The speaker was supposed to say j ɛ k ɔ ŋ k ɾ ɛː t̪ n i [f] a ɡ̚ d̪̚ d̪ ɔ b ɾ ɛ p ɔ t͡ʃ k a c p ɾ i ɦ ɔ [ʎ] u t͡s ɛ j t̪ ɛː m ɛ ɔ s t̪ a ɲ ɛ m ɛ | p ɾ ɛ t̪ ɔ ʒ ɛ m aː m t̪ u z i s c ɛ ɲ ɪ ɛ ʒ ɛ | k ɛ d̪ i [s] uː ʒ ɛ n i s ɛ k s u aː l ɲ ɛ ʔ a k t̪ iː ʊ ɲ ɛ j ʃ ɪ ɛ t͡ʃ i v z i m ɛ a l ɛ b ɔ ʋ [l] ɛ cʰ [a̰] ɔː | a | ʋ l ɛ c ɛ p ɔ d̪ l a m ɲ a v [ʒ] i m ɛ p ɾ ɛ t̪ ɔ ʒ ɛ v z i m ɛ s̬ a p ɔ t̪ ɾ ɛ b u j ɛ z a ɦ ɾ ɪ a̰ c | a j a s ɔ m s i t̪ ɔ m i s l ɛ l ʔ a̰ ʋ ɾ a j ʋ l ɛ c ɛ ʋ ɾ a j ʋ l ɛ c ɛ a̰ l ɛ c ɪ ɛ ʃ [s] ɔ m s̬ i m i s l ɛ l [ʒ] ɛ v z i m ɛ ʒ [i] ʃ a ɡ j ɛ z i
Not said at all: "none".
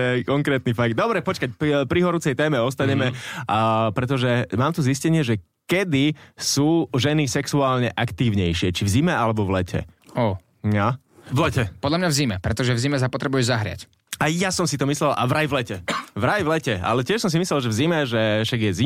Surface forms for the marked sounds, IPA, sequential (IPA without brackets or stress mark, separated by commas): f, ɾ, s, l, ɛ̰, z, s, ʒ, ɛ